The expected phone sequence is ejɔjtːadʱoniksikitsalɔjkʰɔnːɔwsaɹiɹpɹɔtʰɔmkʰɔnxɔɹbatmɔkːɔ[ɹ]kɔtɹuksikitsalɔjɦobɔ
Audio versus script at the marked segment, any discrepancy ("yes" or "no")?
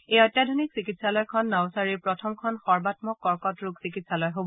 no